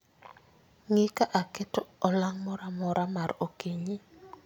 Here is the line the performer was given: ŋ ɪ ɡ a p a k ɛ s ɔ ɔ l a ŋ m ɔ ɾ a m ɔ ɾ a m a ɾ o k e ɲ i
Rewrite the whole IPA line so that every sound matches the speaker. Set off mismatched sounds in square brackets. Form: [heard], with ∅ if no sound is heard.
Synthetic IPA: ŋ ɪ [k] a [ʔ] a k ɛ [t] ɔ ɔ l a ŋ m ɔ ɾ a m ɔ ɾ a m a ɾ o k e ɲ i